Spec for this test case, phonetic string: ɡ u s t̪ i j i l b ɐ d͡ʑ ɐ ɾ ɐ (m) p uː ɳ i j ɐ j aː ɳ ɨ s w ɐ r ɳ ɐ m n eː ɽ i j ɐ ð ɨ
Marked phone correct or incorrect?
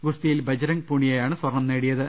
incorrect